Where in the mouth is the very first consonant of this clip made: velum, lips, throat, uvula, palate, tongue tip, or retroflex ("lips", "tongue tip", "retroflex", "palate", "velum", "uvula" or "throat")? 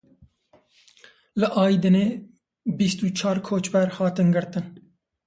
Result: tongue tip